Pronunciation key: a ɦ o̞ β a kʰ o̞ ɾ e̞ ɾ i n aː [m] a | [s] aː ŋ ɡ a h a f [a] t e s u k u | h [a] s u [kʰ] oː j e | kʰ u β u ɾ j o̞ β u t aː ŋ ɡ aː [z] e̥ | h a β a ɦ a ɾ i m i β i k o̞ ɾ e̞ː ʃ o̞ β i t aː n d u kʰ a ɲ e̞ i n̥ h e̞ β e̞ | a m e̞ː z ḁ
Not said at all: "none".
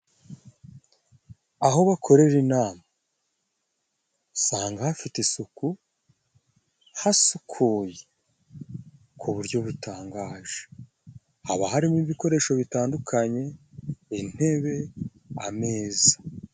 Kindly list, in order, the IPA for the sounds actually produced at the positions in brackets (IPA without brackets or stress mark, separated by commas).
m, s, i, a, kʰ, ʒ